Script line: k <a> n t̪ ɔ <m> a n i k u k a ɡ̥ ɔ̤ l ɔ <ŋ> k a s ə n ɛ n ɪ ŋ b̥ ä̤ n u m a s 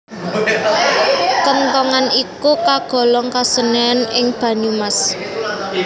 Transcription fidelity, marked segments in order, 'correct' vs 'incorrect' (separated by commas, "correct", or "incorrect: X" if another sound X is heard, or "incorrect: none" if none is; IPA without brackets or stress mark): incorrect: ə, incorrect: ŋ, correct